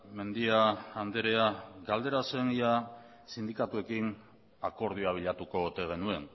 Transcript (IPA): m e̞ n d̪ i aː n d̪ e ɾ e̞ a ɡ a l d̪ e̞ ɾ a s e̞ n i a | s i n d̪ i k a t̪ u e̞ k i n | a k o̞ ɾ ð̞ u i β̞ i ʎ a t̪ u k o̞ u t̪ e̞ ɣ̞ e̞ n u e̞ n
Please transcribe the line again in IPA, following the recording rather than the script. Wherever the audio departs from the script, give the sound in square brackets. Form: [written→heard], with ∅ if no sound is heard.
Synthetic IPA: m e̞ n d̪ i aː n d̪ e ɾ e̞ a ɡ a l d̪ e̞ ɾ a s e̞ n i a | s i n d̪ i k a t̪ u e̞ k i n | a k o̞ ɾ ð̞ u [i→a] β̞ i ʎ a t̪ u k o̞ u t̪ e̞ ɣ̞ e̞ n u e̞ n